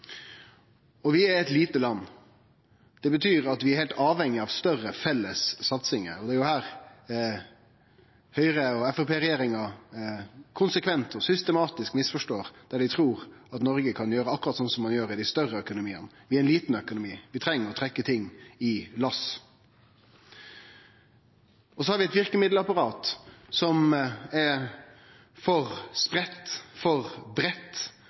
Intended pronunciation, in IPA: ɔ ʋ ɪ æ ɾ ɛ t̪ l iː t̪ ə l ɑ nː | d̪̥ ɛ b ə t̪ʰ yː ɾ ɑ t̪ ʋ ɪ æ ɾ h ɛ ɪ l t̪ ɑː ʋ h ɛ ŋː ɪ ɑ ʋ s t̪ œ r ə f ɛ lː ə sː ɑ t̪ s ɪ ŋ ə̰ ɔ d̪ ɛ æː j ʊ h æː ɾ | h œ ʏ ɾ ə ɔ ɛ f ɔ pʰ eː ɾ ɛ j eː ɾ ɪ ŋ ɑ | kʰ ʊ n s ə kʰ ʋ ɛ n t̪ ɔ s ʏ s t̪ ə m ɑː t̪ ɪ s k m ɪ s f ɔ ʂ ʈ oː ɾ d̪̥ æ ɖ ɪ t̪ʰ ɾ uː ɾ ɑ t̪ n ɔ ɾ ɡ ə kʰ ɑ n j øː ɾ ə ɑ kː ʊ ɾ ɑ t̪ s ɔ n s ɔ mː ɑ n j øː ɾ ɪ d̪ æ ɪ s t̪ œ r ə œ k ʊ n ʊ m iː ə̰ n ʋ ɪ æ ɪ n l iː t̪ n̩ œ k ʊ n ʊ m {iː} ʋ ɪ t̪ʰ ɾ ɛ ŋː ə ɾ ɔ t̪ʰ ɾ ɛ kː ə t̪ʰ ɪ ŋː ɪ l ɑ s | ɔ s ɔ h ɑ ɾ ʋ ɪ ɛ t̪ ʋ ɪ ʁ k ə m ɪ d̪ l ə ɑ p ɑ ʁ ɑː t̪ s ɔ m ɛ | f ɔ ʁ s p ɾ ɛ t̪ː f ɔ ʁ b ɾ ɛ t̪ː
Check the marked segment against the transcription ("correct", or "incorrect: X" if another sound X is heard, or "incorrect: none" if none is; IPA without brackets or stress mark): correct